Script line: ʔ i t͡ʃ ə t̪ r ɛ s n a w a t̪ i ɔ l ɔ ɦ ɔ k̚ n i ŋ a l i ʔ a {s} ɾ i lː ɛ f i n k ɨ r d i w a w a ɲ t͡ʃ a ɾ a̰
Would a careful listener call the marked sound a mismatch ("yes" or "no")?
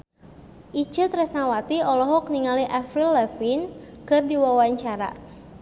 yes